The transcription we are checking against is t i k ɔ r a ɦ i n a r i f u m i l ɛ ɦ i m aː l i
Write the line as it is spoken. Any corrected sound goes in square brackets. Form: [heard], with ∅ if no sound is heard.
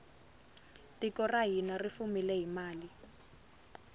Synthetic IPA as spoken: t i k ɔ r a ɦ i n a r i f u m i l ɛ ɦ i m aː l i